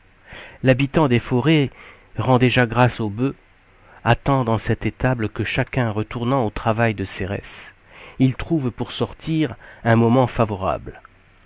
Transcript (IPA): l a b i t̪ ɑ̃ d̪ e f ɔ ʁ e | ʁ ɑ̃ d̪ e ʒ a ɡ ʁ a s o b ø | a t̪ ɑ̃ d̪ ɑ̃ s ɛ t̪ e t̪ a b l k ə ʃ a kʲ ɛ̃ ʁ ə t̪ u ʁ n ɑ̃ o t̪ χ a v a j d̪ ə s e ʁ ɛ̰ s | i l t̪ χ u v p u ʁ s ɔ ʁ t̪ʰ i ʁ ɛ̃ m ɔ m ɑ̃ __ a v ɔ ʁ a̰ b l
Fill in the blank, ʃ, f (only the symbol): f